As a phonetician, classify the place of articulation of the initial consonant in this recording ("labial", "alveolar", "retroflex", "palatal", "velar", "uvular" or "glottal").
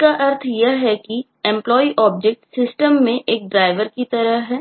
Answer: velar